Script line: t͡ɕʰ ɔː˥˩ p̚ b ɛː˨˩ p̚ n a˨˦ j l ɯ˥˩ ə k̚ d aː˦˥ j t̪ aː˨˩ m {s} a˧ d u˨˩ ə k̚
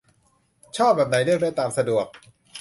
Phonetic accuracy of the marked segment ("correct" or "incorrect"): correct